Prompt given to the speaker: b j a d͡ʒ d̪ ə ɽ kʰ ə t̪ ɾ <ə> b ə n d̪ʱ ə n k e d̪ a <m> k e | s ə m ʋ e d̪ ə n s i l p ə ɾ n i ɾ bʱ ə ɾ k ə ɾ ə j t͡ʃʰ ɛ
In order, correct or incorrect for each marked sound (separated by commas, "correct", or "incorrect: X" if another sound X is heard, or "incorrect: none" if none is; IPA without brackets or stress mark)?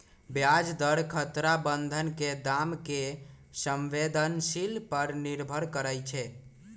incorrect: a, correct